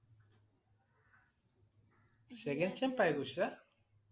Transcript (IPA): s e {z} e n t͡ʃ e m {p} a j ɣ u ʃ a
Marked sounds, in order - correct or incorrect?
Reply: incorrect: ɣ, correct

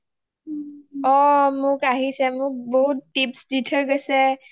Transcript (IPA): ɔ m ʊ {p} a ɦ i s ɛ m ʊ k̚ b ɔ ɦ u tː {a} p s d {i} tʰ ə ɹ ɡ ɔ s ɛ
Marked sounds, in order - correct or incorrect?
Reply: incorrect: k, incorrect: i, correct

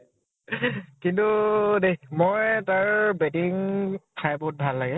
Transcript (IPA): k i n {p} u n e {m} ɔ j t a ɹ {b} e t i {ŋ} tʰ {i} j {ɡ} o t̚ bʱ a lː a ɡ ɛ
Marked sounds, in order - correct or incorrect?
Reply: incorrect: t, correct, correct, correct, incorrect: a, incorrect: b

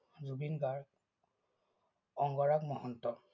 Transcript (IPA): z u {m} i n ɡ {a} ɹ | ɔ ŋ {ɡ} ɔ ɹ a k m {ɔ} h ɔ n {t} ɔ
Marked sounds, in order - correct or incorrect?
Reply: incorrect: b, correct, correct, correct, correct

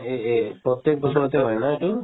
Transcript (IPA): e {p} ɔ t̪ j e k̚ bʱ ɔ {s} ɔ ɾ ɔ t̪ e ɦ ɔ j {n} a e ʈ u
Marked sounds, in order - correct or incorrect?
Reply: correct, correct, correct

